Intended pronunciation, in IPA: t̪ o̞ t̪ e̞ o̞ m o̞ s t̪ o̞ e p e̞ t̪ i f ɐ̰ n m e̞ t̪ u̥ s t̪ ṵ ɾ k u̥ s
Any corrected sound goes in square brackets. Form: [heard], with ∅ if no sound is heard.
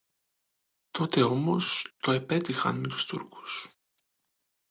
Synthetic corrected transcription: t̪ o̞ t̪ e̞ o̞ m o̞ s t̪ o̞ e p e̞ t̪ i [x] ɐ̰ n m e̞ t̪ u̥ s t̪ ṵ ɾ k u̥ s